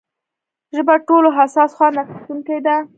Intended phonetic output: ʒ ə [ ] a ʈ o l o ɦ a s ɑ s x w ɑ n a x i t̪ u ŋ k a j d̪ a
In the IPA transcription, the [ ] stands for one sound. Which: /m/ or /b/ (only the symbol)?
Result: b